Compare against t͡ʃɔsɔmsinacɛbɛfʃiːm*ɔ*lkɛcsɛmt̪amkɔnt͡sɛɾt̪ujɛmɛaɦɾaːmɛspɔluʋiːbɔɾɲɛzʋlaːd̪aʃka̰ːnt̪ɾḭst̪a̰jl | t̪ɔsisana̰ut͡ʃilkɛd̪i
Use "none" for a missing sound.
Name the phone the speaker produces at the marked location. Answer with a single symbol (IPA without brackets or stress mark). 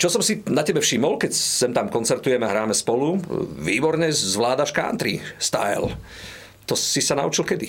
ɔ